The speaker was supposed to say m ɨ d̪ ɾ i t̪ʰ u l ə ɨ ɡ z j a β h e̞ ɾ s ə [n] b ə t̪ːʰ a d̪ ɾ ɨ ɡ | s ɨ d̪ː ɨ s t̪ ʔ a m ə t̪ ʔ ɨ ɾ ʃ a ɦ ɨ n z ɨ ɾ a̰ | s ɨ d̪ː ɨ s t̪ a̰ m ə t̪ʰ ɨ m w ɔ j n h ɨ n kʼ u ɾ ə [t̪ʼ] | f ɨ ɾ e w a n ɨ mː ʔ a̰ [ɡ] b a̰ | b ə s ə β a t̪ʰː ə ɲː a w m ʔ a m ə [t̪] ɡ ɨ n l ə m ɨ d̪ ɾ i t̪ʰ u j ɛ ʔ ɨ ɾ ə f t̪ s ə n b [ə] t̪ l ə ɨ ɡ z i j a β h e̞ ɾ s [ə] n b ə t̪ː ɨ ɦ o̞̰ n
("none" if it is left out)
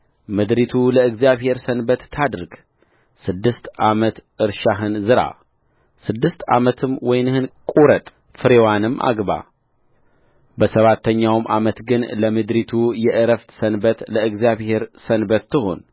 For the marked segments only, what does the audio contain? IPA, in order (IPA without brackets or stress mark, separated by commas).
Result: n, t̪ʼ, ɡ, t̪, ə, ə